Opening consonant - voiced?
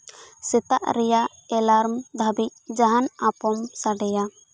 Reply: no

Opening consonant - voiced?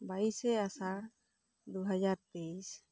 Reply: yes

